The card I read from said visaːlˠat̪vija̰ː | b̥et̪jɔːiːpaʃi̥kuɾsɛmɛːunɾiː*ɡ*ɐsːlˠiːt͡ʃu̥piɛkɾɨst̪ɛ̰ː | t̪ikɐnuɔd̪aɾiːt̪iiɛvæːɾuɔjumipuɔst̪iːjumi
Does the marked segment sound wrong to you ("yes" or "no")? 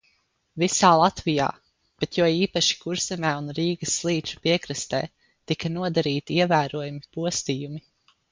no